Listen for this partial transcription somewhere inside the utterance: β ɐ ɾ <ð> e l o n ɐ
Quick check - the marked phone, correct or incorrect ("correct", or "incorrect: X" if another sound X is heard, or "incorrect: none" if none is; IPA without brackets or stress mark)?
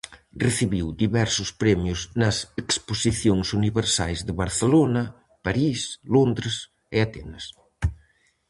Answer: incorrect: θ